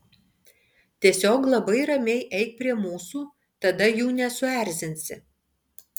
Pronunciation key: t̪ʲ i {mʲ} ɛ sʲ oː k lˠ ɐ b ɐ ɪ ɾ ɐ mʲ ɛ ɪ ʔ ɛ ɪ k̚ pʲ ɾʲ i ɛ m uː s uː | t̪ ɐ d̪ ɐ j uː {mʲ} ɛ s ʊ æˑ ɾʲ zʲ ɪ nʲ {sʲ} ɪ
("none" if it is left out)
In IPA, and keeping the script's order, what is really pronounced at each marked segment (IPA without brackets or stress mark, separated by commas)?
none, nʲ, sʲ